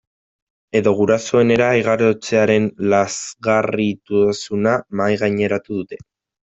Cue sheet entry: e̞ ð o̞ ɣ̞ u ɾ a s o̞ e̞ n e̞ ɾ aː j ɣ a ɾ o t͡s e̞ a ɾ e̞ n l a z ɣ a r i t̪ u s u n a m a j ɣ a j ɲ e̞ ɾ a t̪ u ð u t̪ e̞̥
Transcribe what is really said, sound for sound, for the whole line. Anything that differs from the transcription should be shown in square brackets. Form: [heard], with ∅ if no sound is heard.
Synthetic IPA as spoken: e̞ ð o̞ ɣ̞ u ɾ a s o̞ e̞ n e̞ ɾ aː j ɣ a ɾ o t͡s e̞ a ɾ e̞ n l a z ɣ a r i t̪ u s u n a m a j ɣ a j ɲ e̞ ɾ a t̪ u ð u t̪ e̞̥